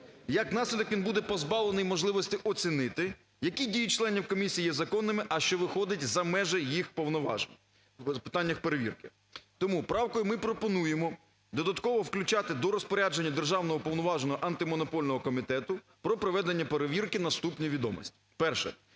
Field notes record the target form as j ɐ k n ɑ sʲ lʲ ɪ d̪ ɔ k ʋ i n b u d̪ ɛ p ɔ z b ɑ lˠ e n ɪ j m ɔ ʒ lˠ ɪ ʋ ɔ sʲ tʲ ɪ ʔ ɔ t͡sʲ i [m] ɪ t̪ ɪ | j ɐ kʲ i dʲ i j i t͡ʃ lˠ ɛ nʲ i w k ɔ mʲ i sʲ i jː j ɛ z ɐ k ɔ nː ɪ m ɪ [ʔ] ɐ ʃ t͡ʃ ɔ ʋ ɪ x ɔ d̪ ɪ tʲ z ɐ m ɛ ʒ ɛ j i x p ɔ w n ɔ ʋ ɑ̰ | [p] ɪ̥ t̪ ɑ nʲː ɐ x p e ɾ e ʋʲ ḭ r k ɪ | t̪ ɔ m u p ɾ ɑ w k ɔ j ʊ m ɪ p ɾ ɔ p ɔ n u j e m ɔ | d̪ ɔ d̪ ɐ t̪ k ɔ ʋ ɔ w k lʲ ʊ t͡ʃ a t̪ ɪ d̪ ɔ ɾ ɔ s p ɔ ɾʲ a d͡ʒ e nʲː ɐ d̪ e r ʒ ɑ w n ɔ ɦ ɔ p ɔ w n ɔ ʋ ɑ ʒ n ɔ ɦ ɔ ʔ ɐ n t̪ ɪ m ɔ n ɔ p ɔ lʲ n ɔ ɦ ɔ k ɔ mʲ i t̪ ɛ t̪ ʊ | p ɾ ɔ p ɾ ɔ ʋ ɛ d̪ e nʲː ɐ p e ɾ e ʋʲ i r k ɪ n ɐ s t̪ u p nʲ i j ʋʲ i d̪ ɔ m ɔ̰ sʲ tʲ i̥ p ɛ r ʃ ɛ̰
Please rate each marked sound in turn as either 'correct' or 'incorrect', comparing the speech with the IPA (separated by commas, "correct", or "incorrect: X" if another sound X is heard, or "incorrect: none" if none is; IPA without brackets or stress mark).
incorrect: n, correct, correct